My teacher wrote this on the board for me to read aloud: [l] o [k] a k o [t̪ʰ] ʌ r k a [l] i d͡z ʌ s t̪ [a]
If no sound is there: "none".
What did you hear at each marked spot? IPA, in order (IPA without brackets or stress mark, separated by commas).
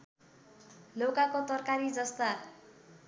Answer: l, k, t̪, ɾ, a